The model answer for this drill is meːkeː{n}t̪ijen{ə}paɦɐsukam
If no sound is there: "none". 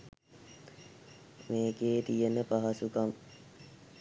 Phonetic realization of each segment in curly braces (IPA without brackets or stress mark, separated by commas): none, ə